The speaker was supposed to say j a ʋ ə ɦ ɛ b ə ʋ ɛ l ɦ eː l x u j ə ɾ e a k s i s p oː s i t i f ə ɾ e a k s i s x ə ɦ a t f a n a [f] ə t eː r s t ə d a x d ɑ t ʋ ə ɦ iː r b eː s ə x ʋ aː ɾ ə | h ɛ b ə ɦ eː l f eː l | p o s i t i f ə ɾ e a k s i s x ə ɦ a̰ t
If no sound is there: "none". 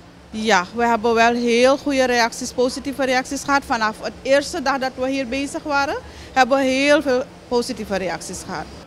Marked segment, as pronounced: f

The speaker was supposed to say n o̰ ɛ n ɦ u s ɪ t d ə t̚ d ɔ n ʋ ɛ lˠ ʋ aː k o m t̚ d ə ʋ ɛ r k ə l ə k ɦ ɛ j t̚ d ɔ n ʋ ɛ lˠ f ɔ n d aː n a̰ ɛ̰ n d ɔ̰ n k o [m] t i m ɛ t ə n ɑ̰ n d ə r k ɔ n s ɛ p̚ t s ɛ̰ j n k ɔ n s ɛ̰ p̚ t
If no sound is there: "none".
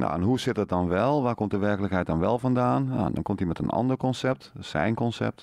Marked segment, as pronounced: m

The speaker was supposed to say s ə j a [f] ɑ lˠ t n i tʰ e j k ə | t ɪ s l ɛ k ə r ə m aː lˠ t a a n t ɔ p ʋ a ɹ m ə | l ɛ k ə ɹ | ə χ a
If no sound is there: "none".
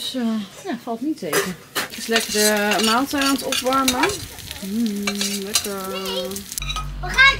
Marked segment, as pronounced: f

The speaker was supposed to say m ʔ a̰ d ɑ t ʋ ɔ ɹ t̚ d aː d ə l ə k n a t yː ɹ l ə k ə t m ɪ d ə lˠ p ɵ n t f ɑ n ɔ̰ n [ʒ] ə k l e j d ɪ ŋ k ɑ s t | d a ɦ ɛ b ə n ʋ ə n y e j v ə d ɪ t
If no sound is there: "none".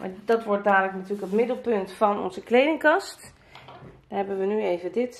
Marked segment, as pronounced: z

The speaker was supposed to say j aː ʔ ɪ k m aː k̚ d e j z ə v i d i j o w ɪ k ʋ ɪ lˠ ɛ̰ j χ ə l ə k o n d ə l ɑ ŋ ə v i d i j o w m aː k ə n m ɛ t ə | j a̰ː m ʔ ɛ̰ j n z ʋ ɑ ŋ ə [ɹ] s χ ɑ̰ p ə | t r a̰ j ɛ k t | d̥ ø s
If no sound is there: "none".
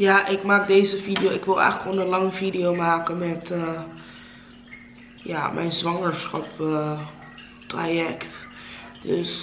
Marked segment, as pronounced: ɹ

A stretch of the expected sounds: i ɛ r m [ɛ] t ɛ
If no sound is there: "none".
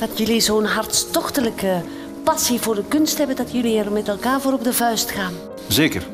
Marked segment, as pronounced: ɛ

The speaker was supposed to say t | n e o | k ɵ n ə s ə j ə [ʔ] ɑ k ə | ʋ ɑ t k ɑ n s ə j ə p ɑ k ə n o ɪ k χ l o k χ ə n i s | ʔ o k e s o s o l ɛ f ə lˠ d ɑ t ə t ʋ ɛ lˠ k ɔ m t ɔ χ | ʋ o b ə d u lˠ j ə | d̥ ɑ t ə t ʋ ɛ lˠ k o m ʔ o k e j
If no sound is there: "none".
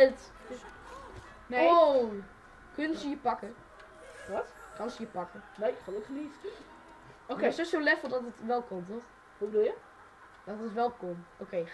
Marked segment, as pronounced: p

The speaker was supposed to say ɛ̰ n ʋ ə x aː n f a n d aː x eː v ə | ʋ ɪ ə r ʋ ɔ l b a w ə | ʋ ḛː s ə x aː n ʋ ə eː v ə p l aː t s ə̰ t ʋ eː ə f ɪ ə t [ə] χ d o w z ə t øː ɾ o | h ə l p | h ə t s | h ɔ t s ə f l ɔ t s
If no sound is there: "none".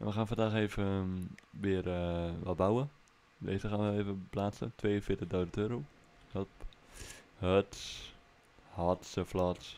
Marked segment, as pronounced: ə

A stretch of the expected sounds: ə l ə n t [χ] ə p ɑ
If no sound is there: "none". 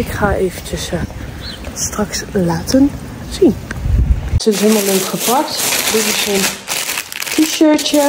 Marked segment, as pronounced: χ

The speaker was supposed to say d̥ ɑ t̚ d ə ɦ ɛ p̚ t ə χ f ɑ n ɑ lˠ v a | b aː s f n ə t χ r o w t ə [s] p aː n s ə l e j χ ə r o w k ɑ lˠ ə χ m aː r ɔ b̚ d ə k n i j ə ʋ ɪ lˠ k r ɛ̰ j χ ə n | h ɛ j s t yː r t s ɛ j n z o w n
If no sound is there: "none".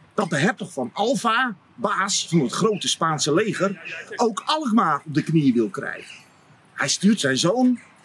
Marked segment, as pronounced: s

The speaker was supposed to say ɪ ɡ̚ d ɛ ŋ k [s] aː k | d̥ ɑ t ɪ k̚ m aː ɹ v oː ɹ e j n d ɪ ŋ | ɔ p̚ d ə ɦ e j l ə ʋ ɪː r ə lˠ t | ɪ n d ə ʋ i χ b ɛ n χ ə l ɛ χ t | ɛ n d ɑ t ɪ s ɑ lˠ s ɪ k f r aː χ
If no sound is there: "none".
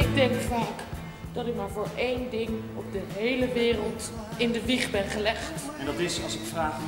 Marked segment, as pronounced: f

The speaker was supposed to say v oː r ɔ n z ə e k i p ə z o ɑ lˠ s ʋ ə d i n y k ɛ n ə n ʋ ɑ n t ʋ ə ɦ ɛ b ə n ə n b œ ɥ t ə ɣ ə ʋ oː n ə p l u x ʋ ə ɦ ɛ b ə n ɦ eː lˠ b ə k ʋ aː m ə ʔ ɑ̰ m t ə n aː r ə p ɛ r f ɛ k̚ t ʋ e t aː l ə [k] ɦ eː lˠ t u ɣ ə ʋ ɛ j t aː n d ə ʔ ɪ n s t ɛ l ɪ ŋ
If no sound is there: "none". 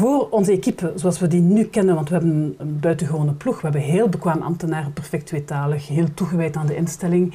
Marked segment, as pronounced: x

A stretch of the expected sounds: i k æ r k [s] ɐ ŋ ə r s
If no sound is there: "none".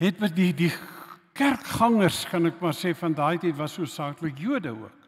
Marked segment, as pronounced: χ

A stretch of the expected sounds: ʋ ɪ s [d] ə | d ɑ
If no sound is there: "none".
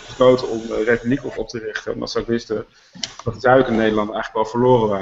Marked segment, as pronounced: t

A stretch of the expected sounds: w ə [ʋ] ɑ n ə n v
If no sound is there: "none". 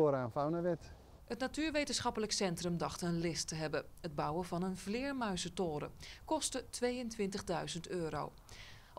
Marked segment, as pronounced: v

